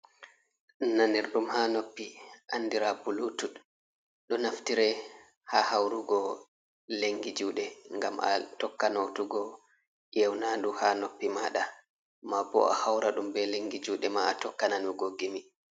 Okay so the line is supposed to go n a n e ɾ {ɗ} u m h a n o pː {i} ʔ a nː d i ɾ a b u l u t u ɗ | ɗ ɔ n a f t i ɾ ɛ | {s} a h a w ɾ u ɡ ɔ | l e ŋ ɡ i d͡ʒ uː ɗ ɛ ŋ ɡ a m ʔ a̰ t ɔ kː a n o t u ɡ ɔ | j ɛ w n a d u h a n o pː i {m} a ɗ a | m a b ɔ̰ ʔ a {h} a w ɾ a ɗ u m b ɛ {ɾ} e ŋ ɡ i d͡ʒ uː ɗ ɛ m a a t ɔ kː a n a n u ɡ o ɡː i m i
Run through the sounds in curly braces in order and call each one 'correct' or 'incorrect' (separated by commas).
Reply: correct, correct, incorrect, correct, correct, incorrect